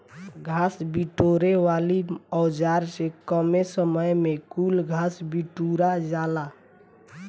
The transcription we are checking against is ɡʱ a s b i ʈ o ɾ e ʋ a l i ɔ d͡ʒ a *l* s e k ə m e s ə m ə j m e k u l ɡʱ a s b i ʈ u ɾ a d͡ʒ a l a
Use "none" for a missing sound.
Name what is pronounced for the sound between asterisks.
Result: ɾ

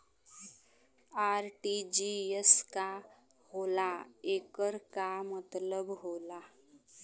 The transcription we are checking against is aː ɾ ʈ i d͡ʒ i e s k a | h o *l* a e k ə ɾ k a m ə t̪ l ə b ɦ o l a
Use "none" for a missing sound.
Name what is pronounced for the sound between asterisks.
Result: l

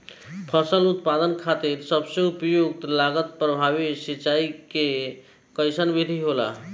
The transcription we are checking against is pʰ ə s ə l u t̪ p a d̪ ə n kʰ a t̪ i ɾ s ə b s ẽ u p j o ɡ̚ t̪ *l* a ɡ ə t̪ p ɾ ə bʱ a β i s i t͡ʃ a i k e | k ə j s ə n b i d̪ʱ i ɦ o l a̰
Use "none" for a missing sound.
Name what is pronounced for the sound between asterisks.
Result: l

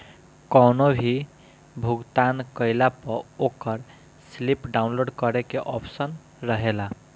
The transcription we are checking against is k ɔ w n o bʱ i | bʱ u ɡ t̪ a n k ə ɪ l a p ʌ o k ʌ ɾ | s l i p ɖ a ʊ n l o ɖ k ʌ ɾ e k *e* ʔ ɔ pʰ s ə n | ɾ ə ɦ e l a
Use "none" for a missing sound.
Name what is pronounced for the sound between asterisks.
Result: e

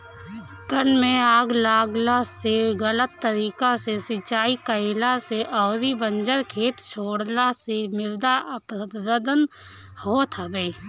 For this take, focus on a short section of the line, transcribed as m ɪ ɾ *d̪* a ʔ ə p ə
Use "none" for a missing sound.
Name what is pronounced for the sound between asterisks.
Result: d̪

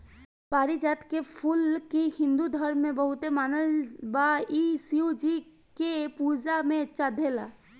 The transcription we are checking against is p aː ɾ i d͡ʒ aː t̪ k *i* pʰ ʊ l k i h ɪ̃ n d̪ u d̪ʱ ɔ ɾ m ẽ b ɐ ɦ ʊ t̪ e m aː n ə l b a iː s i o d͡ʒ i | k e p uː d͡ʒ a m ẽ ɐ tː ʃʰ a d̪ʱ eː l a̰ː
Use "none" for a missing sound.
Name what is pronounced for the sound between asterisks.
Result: e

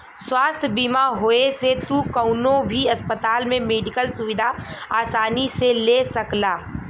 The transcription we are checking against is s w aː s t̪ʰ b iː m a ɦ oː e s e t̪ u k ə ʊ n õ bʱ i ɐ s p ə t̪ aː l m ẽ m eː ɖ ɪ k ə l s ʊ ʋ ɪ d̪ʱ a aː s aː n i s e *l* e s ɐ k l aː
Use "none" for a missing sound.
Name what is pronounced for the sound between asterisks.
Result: l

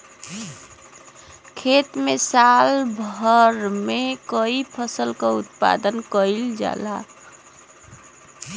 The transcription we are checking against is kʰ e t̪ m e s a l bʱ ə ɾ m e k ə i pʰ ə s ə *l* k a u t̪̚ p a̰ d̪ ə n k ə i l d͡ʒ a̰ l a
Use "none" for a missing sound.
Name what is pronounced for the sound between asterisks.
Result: l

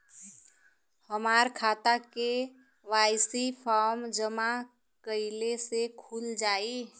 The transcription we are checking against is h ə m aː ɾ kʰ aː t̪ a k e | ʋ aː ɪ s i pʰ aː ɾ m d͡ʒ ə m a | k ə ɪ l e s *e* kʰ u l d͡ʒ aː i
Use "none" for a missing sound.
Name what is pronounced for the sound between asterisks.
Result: e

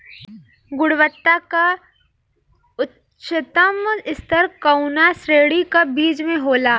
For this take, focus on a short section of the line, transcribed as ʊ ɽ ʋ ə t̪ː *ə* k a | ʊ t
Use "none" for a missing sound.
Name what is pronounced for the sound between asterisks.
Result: a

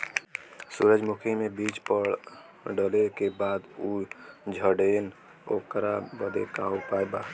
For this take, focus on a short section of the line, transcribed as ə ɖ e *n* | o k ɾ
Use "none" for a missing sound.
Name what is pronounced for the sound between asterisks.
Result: n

